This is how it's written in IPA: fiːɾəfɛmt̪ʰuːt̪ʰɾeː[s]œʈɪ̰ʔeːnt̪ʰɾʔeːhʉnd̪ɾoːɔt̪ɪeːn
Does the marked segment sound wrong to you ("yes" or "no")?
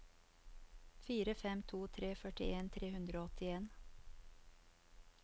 yes